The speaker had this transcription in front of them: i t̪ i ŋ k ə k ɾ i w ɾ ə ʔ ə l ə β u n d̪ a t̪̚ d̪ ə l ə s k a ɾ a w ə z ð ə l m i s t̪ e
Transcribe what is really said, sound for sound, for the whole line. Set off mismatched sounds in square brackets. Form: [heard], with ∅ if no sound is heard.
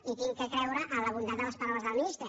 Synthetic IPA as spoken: i t̪ i ŋ k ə k ɾ [ɛ] w ɾ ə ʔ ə l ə β u n d̪ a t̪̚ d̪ ə l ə s [p] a ɾ a w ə z ð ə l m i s t̪ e